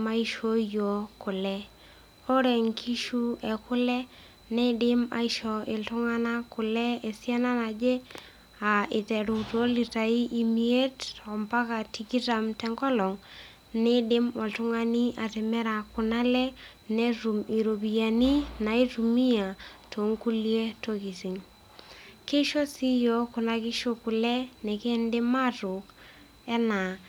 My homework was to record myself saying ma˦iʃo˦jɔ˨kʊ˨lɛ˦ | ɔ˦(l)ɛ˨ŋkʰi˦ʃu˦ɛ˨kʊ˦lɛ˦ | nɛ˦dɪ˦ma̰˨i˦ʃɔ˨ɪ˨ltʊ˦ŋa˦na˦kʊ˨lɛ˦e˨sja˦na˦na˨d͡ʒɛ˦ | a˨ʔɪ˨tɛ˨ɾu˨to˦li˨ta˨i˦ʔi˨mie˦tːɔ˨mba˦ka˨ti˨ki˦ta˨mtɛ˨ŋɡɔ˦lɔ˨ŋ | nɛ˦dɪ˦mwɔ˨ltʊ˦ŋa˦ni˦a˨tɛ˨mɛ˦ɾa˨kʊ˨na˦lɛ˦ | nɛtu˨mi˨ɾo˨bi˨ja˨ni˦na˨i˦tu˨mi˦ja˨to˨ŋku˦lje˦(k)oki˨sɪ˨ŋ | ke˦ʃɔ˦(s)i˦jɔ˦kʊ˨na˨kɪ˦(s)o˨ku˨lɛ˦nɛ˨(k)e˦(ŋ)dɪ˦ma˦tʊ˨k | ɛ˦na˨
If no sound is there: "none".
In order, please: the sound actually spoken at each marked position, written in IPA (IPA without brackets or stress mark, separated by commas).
ɾ, t, s, ʃ, k, n